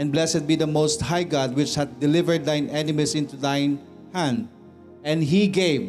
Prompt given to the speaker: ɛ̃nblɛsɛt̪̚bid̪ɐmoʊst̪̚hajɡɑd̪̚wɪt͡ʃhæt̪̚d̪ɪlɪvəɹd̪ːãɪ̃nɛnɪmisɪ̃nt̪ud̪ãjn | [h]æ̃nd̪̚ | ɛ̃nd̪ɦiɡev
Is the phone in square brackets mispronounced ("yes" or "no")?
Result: no